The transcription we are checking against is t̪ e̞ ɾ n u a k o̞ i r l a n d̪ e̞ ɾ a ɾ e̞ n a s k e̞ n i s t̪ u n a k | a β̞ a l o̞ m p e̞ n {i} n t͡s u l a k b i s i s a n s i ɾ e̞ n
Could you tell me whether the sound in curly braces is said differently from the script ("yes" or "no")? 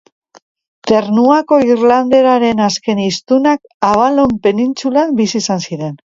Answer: no